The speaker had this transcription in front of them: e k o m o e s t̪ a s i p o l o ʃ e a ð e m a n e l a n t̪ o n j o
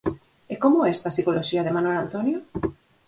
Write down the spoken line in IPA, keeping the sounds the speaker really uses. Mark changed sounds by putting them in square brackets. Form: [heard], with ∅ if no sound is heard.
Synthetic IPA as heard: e k o m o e s t̪ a s i [k] o l o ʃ [i] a ð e m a n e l a n t̪ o n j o